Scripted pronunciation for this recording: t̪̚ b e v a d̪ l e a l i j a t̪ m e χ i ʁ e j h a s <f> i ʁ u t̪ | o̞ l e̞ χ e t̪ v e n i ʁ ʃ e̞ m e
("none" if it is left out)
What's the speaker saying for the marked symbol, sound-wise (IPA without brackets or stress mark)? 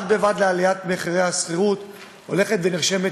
χ